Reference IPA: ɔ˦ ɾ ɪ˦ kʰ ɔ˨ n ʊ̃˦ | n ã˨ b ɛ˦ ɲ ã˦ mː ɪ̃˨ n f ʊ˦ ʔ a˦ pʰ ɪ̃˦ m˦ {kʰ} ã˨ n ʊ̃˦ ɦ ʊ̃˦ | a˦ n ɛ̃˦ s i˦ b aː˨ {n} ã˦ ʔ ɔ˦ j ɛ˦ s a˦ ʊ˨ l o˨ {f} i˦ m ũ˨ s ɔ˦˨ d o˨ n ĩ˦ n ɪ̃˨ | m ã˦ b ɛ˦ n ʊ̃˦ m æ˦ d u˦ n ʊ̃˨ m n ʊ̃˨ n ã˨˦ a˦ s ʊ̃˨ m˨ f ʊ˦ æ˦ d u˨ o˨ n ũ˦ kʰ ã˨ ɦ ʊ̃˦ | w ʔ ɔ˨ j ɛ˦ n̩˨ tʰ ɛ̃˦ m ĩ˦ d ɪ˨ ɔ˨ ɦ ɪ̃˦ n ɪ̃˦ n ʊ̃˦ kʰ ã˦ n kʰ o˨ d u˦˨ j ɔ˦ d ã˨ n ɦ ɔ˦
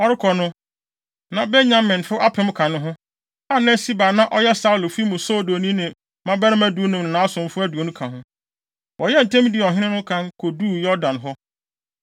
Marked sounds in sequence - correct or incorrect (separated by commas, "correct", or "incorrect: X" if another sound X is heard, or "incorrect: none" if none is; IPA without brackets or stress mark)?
correct, correct, correct